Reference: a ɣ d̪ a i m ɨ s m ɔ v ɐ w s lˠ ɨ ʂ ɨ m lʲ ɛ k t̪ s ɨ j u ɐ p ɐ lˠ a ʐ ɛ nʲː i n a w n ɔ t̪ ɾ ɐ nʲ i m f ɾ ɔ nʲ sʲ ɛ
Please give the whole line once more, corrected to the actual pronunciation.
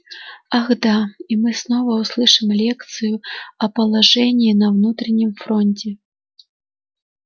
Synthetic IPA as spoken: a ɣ d̪ a i m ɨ s n ɔ v ɐ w s lˠ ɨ ʂ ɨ m lʲ ɛ k t̪ s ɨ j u ɐ p ɐ lˠ a ʐ ɛ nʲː i n ɐ w n u t̪ ɾ ɐ nʲ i m f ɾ ɔ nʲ t͡sʲ ɛ

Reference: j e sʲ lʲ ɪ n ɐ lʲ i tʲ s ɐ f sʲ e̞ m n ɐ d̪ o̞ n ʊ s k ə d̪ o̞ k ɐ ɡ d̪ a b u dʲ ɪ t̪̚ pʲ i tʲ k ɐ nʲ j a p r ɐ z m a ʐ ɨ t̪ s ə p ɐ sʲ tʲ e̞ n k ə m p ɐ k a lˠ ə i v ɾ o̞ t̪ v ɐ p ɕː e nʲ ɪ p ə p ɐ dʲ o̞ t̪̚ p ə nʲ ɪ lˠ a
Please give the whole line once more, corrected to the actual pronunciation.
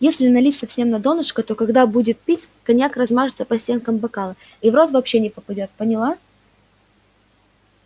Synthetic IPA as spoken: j e sʲ lʲ ɪ n ɐ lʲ i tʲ s ɐ f sʲ e̞ m n ɐ d̪ o̞ n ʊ ʂ k ə t̪ o̞ k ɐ ɡ d̪ a b u dʲ ɪ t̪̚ pʲ i tʲ k ɐ nʲ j a k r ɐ z m a ʐ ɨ t̪ s ə p ɐ sʲ tʲ e̞ n k ə m b ɐ k a lˠ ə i v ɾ o̞ t̪ v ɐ p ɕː e nʲ ɪ p ə p ɐ dʲ o̞ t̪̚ p ə nʲ ɪ lˠ a

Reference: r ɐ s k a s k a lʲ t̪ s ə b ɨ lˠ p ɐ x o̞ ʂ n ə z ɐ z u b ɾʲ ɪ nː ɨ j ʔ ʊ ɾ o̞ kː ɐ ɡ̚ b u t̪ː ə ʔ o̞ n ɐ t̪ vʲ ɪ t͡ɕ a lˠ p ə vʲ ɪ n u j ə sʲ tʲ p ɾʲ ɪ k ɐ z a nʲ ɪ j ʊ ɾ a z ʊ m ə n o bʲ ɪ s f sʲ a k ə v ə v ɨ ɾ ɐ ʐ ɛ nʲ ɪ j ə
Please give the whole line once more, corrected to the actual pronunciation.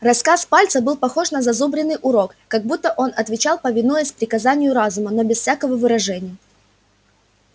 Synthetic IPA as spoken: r ɐ s k a s p a lʲ t̪ s ə b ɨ lˠ p ɐ x o̞ ʂ n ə z ɐ z u b ɾʲ ɪ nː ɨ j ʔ ʊ ɾ o̞ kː ɐ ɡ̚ b u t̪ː ə ʔ o̞ n ɐ t̪ vʲ ɪ t͡ɕ a lˠ p ə vʲ ɪ n u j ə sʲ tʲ p ɾʲ ɪ k ɐ z a nʲ ɪ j ʊ ɾ a z ʊ m ə n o bʲ ɪ s f sʲ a k ə v ə v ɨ ɾ ɐ ʐ ɛ nʲ ɪ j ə

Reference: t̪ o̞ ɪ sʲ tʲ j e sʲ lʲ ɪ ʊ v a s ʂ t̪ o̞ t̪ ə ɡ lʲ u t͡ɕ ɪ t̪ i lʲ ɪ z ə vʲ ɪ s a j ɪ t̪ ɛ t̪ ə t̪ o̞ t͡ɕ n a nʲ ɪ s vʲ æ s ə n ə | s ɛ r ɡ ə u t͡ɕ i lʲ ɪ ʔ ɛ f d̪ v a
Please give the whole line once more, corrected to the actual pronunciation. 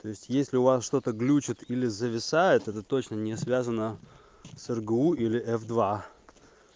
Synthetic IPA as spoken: t̪ o̞ ɪ sʲ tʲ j e sʲ lʲ ɪ ʊ v a s ʂ t̪ o̞ t̪ ə ɡ lʲ u t͡ɕ ɪ t̪ i lʲ ɪ z ə vʲ ɪ s a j ɪ t̪ ɛ t̪ ə t̪ o̞ t͡ɕ n ə nʲ ɪ s vʲ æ z ə n ə | s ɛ r ɡ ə u i lʲ ɪ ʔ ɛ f d̪ v a

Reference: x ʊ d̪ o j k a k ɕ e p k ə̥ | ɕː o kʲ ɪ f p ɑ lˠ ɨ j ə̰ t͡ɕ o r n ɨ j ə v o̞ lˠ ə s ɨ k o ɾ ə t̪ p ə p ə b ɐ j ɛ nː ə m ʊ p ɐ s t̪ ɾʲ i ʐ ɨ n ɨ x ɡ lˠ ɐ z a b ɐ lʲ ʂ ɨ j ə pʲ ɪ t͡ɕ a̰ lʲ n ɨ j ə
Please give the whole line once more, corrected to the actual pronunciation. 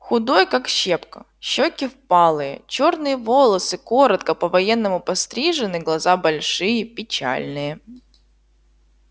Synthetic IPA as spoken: x ʊ d̪ o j k a k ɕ e p k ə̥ | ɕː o kʲ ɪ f p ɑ lˠ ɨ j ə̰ t͡ɕ o r n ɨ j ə v o̞ lˠ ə s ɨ k o ɾ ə t̪ k ə p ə v ɐ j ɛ nː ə m ʊ p ɐ s t̪ ɾʲ i ʐ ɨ n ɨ ɡ lˠ ɐ z a b ɐ lʲ ʂ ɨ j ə pʲ ɪ t͡ɕ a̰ lʲ n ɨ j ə

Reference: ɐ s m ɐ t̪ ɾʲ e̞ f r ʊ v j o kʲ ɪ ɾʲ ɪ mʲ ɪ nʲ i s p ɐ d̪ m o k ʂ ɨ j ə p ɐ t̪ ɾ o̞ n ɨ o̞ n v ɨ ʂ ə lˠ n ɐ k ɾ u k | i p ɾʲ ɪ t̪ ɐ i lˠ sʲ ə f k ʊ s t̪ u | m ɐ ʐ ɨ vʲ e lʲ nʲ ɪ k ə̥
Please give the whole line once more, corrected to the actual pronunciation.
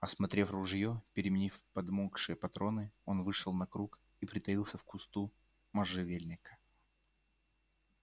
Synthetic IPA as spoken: ɐ s m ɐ t̪ ɾʲ e̞ f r ʊ ʐ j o pʲ ɪ ɾʲ ɪ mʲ ɪ nʲ i f p ɐ d̪ m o k ʂ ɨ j ə p ɐ t̪ ɾ o̞ n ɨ o̞ n v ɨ ʂ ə lˠ n ɐ k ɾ u k | i p ɾʲ ɪ t̪ ɐ i lˠ sʲ ə f k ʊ s t̪ u | m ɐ ʐ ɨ vʲ e lʲ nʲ ɪ k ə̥

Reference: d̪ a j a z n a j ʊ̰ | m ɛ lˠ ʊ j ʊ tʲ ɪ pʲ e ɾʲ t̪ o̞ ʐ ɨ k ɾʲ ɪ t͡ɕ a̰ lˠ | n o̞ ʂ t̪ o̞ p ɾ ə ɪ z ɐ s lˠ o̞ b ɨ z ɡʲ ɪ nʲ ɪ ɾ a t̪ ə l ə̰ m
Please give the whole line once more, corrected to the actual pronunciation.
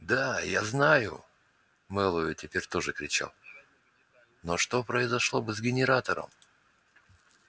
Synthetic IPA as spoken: d̪ a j a z n a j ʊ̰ | m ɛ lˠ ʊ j ʊ tʲ ɪ pʲ e ɾʲ t̪ o̞ ʐ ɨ k ɾʲ ɪ t͡ɕ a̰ lˠ | n o̞ ʂ t̪ o̞ p ɾ ə ɪ z ɐ ʂ lˠ o̞ b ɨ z ɡʲ ɪ nʲ ɪ ɾ a t̪ ə ɾ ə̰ m

